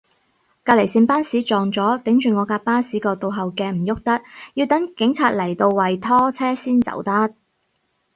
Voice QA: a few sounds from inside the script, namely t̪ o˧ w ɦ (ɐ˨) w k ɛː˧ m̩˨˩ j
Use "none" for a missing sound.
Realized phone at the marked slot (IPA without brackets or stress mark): ɐ˨